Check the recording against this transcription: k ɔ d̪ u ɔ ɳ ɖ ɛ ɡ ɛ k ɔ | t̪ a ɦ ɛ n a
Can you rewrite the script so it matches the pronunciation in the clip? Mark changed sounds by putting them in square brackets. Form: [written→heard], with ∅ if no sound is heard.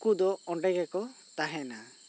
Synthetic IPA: k [ɔ→u] d̪ [u→ɔ] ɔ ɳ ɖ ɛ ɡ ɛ k ɔ | t̪ a ɦ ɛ n a